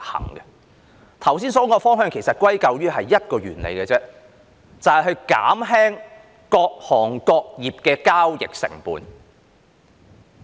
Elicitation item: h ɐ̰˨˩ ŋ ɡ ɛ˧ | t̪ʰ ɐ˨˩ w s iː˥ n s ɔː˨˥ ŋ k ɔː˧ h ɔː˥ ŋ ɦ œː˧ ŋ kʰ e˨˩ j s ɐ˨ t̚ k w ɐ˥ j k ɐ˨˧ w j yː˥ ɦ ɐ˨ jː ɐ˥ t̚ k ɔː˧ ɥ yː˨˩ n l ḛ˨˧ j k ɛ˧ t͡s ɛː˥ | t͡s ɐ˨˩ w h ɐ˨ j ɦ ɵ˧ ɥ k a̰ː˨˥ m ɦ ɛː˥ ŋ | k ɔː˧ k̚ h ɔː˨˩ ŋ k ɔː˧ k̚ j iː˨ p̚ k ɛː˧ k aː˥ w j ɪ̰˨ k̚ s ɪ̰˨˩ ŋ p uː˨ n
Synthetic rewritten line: h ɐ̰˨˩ ŋ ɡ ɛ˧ | t̪ʰ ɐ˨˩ w s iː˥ n s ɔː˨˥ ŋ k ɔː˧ f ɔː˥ ŋ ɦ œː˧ ŋ kʰ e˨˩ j s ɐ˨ t̚ k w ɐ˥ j k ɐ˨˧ w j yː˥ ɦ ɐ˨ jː ɐ˥ t̚ k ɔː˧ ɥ yː˨˩ n l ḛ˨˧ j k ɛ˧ t͡s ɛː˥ | t͡s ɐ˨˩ w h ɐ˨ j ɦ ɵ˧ ɥ k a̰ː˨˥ m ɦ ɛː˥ ŋ | k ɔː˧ k̚ h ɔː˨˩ ŋ k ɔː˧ k̚ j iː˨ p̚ k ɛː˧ k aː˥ w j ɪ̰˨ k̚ s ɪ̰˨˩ ŋ p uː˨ n